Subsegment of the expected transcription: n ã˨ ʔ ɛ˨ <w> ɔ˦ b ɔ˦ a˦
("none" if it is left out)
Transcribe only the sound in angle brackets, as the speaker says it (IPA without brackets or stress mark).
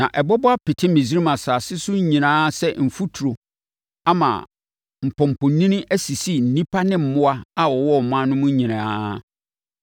b